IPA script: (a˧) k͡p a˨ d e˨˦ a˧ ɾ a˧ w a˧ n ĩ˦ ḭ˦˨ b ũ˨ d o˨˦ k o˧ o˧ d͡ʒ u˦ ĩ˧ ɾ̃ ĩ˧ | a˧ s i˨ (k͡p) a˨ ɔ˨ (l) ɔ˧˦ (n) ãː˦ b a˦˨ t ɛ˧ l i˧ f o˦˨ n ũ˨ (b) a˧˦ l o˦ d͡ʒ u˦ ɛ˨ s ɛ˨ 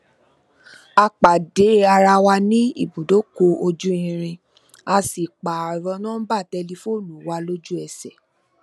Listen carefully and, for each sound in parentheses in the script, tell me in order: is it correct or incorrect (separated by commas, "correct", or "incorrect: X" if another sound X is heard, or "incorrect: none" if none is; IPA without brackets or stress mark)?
correct, correct, incorrect: ɾ, correct, incorrect: w